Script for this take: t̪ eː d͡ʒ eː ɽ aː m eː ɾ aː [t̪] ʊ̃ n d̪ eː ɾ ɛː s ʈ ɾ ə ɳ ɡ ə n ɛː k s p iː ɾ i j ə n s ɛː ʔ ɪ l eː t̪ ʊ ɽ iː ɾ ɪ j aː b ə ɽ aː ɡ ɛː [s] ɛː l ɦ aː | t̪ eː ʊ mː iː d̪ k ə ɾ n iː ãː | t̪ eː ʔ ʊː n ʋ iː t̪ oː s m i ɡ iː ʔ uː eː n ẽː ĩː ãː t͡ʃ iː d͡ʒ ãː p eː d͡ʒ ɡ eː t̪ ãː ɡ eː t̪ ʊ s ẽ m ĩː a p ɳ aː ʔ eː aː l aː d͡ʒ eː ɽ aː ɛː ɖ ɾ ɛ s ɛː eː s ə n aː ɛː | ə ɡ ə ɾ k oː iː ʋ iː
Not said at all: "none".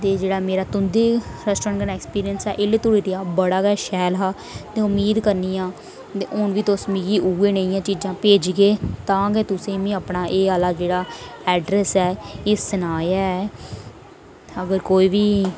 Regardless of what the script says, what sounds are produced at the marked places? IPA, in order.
t̪, ʃ

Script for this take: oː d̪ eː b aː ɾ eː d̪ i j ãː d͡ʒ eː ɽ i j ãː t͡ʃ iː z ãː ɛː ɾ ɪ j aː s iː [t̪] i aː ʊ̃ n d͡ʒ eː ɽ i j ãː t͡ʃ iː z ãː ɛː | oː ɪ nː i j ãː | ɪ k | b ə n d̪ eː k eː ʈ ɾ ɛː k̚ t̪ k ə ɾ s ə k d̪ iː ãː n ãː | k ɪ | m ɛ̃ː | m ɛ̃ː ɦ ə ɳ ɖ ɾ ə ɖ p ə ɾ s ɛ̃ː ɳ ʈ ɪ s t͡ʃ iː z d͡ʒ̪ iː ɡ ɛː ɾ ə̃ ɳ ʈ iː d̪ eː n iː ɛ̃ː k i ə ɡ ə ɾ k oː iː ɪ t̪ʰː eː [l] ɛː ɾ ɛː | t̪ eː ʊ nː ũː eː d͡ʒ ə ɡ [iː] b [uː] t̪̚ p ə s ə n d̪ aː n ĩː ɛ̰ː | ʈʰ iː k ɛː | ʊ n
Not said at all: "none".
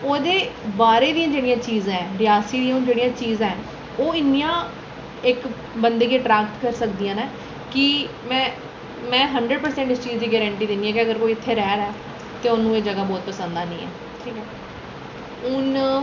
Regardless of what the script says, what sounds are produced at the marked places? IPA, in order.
d̪, ɾ, aː, ɔː

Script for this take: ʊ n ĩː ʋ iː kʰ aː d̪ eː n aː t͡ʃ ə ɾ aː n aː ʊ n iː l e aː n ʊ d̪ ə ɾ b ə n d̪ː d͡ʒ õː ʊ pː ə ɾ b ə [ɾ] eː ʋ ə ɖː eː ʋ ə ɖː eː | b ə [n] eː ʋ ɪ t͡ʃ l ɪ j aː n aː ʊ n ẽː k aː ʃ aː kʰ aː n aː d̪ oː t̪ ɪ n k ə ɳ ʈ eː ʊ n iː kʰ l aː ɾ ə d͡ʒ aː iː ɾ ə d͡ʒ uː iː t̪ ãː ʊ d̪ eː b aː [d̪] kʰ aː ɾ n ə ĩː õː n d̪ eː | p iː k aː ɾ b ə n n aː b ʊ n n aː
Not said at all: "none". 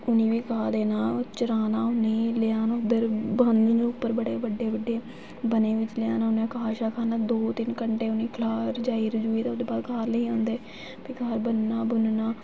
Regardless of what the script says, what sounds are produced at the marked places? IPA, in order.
ɽ, n, d̪

